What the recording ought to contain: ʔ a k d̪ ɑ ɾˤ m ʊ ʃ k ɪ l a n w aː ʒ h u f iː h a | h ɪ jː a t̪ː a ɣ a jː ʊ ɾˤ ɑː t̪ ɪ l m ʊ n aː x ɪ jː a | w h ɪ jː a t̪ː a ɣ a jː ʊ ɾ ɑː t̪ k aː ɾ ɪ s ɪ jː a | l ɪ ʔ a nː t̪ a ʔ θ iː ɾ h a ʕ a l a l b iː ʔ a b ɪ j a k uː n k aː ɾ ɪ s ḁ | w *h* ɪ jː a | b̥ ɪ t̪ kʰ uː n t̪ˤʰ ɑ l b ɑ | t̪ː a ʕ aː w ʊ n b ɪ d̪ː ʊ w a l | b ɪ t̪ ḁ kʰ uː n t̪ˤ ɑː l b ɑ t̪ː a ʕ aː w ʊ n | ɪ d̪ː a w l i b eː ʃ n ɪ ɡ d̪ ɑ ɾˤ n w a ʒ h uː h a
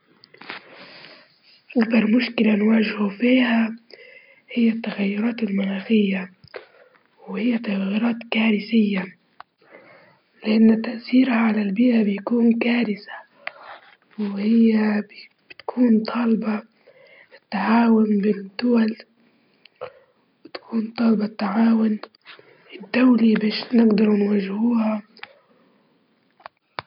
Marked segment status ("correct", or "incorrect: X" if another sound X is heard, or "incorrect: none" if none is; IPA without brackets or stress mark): correct